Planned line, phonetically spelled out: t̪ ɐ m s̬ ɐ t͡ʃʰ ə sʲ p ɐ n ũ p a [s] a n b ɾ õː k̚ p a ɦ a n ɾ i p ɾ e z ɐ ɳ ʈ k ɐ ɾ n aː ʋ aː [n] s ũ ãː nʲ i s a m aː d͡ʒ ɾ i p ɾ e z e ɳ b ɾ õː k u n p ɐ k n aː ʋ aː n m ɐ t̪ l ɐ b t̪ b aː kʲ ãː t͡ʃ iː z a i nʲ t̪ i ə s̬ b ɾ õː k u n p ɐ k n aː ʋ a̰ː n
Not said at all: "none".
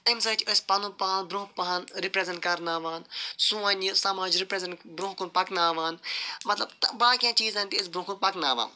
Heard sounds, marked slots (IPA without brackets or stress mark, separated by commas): none, n